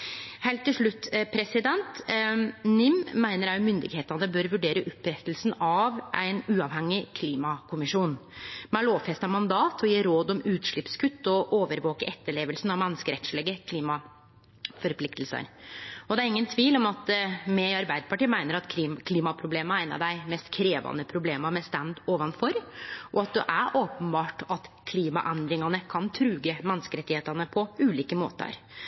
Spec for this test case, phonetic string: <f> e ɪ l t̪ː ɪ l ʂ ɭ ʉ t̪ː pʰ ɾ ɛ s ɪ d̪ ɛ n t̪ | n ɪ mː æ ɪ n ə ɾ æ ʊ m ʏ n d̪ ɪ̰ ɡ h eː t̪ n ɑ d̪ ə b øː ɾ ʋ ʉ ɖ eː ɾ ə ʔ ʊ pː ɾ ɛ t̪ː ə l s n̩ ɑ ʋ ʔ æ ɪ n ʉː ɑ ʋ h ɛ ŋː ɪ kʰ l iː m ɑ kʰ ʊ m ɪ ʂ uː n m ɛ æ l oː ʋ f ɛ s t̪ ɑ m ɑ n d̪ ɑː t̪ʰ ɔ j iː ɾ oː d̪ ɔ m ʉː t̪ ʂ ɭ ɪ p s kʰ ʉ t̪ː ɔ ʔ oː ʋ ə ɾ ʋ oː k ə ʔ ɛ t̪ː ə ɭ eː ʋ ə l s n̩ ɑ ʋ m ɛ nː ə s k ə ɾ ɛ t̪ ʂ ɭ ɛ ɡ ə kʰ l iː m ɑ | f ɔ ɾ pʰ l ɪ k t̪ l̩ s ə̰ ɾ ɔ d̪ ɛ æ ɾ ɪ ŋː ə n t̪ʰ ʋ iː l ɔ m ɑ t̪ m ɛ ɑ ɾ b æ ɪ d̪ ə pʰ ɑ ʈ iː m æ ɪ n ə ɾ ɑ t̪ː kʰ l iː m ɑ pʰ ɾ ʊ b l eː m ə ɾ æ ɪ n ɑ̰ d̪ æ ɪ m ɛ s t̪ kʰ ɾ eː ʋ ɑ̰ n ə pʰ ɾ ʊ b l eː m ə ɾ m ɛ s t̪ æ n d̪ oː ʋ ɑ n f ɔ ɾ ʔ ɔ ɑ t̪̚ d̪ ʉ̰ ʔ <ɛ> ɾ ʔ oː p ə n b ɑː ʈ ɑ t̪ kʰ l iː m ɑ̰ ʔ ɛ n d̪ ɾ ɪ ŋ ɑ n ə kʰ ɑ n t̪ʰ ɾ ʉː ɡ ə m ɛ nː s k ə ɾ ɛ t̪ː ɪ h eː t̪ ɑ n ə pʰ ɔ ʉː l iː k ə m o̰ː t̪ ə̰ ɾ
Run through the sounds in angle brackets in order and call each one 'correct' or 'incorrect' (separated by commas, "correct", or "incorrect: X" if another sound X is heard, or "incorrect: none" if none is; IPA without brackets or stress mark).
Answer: incorrect: h, incorrect: æ